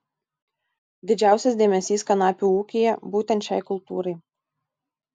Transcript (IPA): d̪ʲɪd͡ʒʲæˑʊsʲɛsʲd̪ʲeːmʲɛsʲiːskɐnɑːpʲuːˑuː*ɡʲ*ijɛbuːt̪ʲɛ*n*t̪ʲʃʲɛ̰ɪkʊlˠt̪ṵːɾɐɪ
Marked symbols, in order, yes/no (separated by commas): no, yes